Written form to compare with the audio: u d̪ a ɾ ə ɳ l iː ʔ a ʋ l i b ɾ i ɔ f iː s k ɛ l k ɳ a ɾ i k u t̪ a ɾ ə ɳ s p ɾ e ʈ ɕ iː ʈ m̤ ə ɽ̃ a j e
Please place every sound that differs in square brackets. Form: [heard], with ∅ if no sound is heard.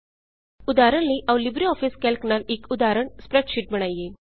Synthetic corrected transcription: u d̪ a ɾ ə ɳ l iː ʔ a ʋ l i b ɾ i ɔ f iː s k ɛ l k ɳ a ɾ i k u [d̪] a ɾ ə ɳ s p ɾ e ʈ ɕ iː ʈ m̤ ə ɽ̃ a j e